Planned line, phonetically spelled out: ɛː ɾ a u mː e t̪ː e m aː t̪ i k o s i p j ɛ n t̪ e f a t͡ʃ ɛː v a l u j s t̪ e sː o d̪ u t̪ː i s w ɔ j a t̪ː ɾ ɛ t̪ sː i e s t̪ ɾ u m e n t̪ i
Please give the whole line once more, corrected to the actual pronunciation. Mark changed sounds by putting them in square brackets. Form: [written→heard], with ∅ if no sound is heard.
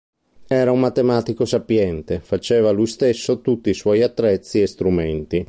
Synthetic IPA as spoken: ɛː ɾ a u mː [e→a] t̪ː e m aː t̪ i k o s [i→a] p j ɛ n t̪ e f a t͡ʃ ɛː v a l u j s t̪ e sː o [d̪→t̪] u t̪ː i s w ɔ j a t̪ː ɾ ɛ t̪ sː i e s t̪ ɾ u m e n t̪ i